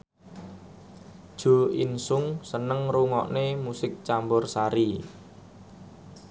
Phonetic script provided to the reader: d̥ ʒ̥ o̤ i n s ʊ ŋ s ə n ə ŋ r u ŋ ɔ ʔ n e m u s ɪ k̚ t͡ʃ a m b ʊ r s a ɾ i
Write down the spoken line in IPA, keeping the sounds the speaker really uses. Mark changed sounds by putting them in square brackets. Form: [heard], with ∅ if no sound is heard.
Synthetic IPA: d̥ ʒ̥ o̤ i n s ʊ ŋ s ə n ə ŋ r u ŋ ɔ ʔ n e m u s ɪ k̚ t͡ʃ a m b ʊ r s a ɾ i